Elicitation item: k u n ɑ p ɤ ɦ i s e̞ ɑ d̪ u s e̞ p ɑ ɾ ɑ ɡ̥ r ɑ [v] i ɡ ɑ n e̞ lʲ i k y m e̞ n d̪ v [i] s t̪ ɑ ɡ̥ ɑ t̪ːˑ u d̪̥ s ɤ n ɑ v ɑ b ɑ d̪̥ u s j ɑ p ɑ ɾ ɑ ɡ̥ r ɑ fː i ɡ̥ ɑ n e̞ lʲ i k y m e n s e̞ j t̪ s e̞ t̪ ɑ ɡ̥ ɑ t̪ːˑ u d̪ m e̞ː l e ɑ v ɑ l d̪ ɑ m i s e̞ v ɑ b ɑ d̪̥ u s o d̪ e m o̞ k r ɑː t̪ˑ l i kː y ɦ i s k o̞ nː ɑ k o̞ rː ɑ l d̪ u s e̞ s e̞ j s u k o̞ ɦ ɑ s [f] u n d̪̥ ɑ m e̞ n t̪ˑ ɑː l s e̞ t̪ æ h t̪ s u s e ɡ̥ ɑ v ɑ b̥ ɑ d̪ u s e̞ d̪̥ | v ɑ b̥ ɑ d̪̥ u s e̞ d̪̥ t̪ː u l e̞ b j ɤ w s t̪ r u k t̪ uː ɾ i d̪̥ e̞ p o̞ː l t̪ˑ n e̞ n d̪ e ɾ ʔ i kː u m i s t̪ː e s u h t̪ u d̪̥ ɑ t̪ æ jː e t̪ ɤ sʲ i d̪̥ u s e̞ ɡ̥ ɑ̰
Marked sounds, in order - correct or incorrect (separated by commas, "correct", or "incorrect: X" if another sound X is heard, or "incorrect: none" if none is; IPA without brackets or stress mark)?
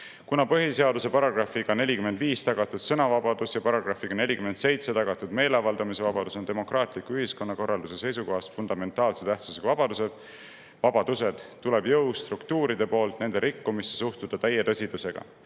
incorrect: f, incorrect: iː, correct